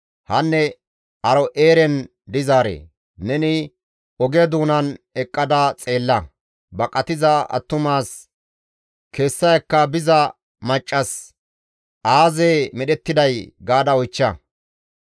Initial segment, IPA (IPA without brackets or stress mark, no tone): h